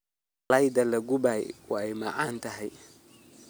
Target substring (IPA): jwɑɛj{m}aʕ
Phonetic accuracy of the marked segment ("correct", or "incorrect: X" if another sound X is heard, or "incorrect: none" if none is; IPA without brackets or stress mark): correct